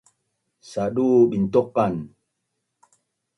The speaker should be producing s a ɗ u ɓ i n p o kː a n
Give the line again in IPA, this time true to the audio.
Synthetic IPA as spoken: s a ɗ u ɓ i n t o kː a n